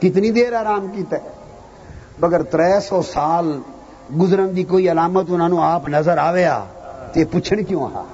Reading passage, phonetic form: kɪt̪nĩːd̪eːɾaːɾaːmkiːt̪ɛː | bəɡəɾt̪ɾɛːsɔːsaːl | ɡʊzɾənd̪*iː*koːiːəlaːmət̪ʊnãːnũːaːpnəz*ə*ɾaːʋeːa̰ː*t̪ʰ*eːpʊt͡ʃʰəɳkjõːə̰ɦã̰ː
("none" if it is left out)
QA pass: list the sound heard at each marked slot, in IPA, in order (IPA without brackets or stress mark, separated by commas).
iː, ə, t̪